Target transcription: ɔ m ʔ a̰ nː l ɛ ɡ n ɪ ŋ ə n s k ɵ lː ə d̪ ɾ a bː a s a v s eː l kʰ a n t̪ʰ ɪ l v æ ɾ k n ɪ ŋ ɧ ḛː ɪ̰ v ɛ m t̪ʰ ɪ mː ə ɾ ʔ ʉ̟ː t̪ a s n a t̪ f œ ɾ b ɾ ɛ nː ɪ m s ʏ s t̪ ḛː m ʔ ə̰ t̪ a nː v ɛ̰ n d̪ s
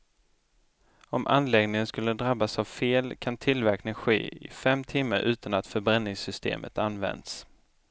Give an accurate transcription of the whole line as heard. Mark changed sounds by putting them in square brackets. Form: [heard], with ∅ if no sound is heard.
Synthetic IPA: ɔ m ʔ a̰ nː l ɛ ɡ n ɪ ŋ ə n s k ɵ lː ə d̪ ɾ a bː a s a v [f] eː l kʰ a n t̪ʰ ɪ l v æ ɾ k n ɪ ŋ ɧ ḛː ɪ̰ [f] ɛ m t̪ʰ ɪ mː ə ɾ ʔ ʉ̟ː t̪ a [∅] n a t̪ f œ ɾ b ɾ ɛ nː ɪ [ŋ] s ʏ s t̪ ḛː m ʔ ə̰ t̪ a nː v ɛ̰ n d̪ s

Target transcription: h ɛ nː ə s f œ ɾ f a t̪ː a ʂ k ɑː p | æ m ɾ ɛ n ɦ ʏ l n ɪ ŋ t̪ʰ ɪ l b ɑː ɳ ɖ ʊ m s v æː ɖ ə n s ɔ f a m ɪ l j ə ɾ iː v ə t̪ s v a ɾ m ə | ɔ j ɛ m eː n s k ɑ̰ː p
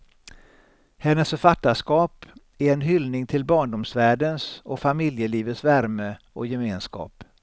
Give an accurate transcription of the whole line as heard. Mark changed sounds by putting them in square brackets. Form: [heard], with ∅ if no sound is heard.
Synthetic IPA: h ɛ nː ə s f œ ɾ f a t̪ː a ʂ k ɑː p | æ [∅] ɾ ɛ n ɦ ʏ l n ɪ ŋ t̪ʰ ɪ l b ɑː ɳ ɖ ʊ m s v æː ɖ ə n s ɔ f a m ɪ l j ə [l] iː v ə t̪ s v [æ] ɾ m ə | ɔ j ɛ m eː n s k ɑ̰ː p

